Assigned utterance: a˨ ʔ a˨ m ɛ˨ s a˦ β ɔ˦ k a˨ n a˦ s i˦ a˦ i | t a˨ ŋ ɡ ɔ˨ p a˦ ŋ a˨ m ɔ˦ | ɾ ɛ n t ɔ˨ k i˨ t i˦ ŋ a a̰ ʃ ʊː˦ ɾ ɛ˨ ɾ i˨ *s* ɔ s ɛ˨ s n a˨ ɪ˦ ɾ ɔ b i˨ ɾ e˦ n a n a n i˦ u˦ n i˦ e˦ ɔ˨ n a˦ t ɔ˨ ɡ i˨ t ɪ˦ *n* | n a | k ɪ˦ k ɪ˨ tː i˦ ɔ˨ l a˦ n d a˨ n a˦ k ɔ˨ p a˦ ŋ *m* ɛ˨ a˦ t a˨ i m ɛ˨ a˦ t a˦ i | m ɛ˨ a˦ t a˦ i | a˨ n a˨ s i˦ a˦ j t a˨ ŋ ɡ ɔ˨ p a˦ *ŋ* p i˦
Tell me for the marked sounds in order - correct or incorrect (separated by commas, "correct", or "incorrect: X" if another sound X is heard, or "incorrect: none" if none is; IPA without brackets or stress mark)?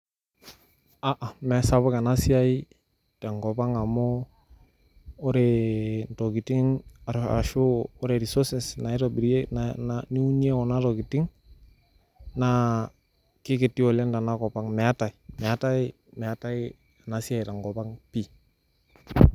correct, incorrect: ŋ, correct, correct